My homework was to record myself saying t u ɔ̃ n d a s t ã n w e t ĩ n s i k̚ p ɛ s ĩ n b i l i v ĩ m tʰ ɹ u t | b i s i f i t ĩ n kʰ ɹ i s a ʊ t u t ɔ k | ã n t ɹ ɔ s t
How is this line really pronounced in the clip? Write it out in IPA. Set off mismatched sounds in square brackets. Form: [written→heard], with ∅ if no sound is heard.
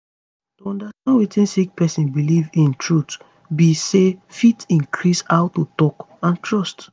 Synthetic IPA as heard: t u ɔ̃ n d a s t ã n w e t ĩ n s i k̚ p ɛ s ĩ n b i l i v ĩ [m→n] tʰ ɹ u t | b i s [i→e] f i t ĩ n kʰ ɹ i s a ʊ t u t ɔ k | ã n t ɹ ɔ s t